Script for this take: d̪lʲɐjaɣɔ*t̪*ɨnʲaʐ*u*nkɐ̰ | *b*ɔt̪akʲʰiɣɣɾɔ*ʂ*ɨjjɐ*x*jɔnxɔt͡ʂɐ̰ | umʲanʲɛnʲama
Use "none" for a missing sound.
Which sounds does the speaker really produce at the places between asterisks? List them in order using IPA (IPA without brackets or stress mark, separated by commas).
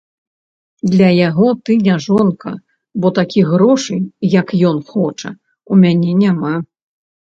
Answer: t̪, ɔ, b, ʂ, k